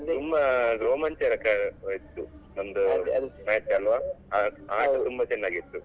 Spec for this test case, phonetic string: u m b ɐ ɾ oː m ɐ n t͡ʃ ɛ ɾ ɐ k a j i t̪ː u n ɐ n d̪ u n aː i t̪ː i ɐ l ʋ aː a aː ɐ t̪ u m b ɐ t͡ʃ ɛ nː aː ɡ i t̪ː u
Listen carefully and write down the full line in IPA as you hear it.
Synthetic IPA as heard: u m b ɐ ɾ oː m ɐ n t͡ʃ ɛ ɾ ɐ k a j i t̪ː u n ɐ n d̪ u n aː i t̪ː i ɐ l ʋ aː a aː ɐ t̪ u m b ɐ t͡ʃ ɛ nː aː ɡ i t̪ː u